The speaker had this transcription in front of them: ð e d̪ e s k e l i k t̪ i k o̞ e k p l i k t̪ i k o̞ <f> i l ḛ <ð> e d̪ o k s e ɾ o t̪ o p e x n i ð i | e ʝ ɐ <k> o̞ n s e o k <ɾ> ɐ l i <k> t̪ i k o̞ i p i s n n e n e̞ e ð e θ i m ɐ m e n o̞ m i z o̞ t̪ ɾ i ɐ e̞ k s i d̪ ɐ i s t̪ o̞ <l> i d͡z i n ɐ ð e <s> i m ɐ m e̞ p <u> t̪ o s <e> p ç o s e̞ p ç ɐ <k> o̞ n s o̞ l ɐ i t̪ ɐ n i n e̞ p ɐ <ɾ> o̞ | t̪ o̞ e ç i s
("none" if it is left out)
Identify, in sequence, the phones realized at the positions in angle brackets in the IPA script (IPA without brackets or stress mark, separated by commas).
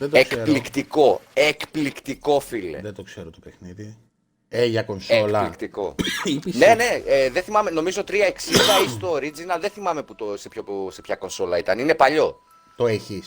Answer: f, ð, k, l, k, ɾ, θ, u, e, k, ʎ